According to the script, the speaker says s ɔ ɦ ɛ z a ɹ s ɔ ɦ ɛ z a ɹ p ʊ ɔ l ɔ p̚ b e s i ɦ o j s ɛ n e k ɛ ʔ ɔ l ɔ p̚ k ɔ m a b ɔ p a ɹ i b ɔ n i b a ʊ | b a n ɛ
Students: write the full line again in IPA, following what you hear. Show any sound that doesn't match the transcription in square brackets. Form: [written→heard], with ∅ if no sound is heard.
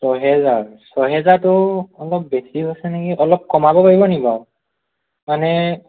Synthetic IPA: s ɔ ɦ ɛ z a ɹ s ɔ ɦ ɛ z a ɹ [p→t] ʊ ɔ l ɔ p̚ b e s i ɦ o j s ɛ n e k [ɛ→i] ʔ ɔ l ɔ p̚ k ɔ m a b ɔ p a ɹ i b ɔ n i b a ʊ | [b→m] a n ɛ